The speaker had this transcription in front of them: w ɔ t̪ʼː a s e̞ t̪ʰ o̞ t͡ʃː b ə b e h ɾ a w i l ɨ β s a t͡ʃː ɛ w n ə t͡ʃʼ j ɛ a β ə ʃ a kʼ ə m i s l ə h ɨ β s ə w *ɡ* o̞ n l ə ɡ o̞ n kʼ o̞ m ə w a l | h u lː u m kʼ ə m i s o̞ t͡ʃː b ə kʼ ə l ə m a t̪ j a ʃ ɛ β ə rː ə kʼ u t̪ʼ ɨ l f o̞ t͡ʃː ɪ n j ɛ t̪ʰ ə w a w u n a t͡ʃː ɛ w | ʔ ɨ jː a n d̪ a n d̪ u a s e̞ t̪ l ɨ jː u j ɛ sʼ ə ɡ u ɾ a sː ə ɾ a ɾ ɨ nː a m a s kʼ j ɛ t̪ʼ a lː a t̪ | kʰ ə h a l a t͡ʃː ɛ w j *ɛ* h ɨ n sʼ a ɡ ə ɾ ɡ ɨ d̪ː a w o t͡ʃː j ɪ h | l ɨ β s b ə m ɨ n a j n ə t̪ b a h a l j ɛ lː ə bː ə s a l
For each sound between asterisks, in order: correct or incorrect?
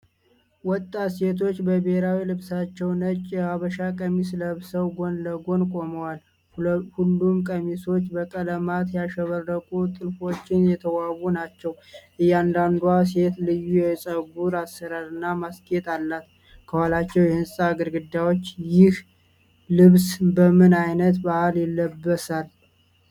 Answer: correct, correct

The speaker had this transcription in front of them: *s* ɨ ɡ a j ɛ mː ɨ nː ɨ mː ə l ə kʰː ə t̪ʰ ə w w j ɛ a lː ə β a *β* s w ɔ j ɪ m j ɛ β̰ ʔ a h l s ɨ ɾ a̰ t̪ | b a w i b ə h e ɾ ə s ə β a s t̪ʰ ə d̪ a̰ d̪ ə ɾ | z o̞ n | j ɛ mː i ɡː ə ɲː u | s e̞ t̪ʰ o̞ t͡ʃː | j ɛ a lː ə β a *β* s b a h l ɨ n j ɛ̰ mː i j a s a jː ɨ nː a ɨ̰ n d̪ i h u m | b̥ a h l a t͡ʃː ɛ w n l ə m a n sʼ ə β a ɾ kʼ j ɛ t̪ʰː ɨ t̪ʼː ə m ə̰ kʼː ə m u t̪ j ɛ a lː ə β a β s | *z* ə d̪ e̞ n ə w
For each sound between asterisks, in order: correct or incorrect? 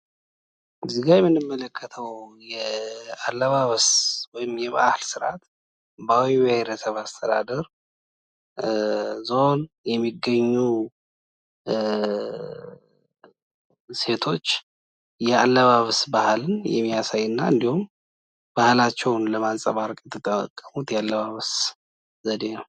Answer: incorrect: z, correct, correct, correct

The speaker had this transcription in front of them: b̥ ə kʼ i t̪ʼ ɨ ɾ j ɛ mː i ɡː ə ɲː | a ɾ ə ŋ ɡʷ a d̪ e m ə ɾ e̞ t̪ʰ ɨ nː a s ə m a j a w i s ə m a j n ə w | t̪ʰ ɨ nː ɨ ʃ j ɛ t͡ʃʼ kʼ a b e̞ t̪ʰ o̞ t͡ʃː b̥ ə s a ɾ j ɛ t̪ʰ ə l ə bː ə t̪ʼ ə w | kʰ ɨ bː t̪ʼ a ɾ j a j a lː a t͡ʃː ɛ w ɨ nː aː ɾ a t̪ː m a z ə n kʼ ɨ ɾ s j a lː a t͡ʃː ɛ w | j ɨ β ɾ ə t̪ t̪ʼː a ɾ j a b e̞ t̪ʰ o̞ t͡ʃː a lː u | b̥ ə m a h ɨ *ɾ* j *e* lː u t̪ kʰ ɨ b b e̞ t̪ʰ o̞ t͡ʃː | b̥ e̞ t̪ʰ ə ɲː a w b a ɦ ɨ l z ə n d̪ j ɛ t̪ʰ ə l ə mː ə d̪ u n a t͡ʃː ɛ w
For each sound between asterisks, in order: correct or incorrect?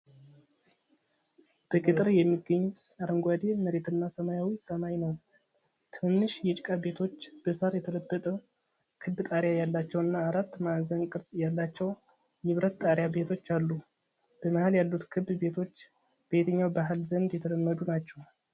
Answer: incorrect: l, incorrect: a

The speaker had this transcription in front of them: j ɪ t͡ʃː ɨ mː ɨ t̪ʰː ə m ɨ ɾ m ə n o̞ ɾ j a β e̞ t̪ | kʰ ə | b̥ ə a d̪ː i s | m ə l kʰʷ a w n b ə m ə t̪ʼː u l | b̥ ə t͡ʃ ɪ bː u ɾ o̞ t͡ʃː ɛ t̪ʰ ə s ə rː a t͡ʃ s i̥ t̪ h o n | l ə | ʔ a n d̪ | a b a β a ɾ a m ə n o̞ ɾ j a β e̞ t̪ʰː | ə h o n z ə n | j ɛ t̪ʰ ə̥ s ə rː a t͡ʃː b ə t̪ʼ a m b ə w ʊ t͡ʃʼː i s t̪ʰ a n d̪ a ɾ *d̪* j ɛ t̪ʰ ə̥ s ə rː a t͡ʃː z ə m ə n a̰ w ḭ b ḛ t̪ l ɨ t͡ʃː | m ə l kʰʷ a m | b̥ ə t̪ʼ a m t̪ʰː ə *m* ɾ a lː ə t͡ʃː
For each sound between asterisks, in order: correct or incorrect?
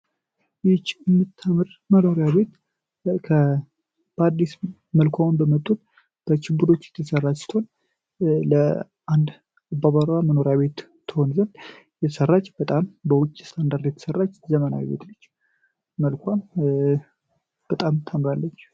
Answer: correct, correct

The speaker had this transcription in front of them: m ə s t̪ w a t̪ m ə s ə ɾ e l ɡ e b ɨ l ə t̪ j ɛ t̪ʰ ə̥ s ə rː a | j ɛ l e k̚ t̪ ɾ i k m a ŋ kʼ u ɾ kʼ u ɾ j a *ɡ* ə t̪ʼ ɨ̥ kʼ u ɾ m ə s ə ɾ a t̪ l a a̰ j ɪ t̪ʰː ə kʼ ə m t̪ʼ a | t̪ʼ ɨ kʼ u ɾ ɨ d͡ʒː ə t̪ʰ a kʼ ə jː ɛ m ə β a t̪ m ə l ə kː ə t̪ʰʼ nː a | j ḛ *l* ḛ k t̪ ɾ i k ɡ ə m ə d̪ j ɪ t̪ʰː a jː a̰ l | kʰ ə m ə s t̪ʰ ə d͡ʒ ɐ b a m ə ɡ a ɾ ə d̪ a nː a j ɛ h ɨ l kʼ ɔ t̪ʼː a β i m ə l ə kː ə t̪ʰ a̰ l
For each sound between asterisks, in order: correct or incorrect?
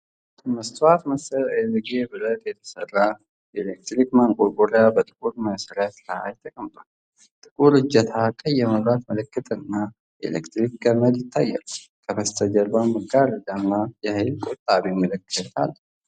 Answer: incorrect: b, correct

